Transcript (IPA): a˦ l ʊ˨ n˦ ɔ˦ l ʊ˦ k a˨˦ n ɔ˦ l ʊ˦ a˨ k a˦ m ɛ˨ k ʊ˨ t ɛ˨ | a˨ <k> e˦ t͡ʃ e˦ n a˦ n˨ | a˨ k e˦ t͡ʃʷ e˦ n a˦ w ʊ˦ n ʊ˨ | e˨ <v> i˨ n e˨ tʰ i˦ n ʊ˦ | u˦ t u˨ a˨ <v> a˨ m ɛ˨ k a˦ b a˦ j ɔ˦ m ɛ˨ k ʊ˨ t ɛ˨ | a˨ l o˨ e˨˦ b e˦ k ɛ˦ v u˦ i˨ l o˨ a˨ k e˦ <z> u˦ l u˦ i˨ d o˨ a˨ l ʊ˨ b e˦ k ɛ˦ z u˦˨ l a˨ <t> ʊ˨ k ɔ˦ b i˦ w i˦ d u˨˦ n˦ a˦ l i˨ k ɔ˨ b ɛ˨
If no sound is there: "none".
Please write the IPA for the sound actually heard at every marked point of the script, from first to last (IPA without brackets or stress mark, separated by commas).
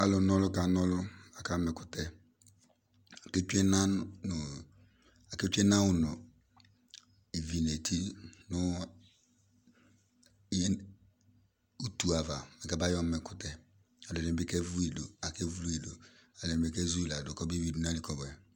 k, v, v, v, d